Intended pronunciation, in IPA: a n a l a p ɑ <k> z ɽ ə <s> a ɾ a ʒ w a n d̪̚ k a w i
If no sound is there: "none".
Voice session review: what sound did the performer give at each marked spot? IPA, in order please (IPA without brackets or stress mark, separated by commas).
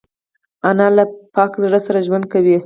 k, s